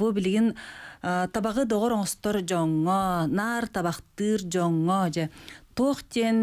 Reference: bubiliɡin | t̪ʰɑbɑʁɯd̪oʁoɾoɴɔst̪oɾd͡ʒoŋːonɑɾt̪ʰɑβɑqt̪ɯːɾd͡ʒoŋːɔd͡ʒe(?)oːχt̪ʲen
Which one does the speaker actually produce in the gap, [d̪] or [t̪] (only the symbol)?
t̪